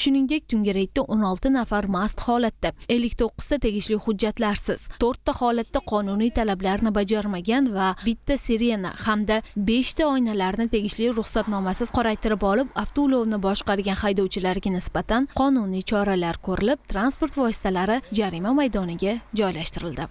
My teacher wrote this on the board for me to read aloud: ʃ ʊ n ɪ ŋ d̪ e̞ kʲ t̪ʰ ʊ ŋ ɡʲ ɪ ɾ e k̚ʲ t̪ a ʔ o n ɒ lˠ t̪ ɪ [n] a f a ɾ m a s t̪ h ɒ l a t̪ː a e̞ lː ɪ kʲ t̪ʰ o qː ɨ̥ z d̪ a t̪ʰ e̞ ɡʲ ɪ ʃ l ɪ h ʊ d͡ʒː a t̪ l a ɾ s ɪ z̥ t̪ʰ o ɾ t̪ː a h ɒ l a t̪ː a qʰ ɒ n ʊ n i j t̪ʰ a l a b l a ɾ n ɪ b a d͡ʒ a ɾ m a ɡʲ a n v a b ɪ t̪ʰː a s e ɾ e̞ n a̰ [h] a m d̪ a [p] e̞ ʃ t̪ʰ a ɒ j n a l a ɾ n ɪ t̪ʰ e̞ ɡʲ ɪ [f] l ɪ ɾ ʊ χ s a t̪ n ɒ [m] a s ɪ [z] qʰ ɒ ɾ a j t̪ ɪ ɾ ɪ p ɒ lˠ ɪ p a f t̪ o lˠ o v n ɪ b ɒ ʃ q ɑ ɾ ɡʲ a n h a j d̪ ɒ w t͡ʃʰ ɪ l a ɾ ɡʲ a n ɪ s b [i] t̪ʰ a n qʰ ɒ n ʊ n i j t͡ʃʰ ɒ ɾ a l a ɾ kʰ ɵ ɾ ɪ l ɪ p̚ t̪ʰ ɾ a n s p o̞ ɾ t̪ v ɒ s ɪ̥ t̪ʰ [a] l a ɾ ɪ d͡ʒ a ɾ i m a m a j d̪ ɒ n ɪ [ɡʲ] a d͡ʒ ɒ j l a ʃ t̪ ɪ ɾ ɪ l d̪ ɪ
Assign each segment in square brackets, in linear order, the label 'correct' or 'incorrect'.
correct, correct, incorrect: b, incorrect: ʃ, correct, correct, incorrect: a, correct, correct

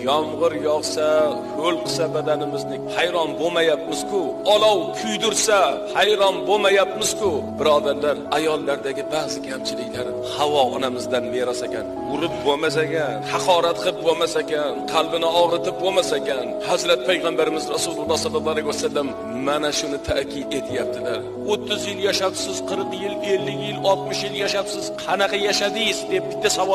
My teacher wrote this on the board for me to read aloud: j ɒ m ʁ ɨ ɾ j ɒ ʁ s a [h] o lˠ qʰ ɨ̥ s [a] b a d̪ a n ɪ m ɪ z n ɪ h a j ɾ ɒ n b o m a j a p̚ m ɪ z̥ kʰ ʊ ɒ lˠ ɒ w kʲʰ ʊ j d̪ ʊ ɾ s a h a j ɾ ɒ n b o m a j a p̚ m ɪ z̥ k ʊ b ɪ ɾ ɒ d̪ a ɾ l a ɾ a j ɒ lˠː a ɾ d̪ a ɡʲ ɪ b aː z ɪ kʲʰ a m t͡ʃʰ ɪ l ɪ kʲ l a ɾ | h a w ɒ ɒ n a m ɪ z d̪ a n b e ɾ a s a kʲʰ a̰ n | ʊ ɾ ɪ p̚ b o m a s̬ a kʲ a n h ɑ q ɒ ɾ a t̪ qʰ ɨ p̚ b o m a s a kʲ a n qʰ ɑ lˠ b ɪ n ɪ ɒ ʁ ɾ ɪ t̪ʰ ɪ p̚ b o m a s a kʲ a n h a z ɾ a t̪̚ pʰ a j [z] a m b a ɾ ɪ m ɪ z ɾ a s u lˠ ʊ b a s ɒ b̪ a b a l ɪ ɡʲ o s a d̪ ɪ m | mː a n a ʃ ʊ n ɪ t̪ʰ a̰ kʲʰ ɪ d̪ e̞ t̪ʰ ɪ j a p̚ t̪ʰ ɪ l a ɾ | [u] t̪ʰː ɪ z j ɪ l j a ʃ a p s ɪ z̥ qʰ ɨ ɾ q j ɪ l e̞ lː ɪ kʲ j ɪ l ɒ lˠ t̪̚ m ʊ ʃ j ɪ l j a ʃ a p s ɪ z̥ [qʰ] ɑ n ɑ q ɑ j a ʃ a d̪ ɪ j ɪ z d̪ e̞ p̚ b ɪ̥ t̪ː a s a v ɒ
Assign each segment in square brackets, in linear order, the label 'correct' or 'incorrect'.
correct, correct, incorrect: ʁ, incorrect: o, correct

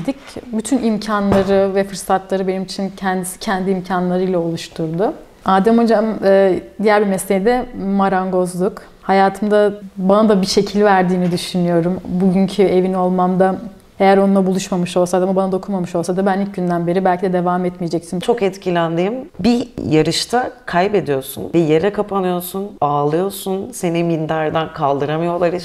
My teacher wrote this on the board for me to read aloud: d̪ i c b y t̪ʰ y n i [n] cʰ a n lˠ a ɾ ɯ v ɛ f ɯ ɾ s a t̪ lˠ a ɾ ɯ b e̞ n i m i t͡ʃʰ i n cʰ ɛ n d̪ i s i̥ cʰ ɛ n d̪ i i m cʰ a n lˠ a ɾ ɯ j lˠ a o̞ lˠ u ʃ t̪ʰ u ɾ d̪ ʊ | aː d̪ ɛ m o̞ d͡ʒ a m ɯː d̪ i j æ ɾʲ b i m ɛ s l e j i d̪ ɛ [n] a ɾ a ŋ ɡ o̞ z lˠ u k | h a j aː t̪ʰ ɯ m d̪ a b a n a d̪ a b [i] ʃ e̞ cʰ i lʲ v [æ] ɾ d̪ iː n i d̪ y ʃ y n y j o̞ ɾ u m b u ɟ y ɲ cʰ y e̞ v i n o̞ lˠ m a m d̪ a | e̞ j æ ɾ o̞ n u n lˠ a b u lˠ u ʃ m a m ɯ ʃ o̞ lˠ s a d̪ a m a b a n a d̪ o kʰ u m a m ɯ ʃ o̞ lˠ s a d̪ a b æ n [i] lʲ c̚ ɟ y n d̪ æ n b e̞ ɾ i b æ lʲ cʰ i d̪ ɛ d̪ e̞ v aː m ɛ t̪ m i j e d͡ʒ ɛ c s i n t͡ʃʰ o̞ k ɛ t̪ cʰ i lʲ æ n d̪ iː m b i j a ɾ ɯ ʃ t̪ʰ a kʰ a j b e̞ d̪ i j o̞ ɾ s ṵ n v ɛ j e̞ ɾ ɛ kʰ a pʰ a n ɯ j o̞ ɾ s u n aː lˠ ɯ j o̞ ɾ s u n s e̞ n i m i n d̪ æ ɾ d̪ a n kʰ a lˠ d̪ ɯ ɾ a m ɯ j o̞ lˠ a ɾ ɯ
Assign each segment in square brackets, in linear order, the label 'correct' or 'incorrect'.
incorrect: m, incorrect: m, correct, correct, correct

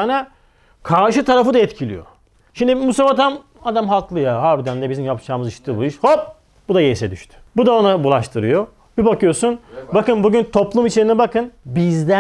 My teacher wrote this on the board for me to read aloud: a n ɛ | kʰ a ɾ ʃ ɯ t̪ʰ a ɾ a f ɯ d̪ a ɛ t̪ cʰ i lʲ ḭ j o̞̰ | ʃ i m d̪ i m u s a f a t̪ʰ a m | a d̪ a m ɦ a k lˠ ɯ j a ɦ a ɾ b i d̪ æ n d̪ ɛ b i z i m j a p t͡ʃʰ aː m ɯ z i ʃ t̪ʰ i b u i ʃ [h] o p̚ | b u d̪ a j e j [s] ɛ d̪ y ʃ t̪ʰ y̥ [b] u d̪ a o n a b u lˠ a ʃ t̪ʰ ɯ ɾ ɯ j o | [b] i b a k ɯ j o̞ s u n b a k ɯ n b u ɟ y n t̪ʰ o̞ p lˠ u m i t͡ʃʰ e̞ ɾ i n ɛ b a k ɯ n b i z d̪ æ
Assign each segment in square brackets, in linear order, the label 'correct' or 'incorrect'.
correct, correct, correct, correct

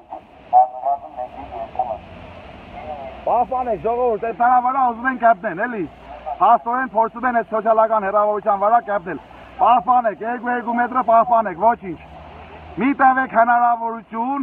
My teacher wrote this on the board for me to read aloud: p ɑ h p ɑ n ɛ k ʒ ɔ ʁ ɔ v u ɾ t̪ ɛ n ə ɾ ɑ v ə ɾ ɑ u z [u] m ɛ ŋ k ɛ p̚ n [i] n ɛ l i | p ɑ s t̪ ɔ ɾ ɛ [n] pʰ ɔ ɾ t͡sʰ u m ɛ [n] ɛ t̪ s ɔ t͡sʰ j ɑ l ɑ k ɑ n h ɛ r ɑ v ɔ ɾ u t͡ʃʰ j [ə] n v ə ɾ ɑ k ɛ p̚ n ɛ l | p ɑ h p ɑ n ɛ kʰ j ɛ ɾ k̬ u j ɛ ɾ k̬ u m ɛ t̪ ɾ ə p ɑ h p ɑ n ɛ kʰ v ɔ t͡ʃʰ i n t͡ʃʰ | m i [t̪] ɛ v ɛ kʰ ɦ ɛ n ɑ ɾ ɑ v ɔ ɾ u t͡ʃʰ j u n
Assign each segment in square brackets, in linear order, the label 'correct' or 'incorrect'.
correct, incorrect: ɛ, correct, correct, incorrect: ɑ, correct

